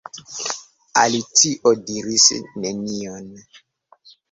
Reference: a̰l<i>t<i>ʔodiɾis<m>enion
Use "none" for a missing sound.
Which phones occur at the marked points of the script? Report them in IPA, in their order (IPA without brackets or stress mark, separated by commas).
i, i, n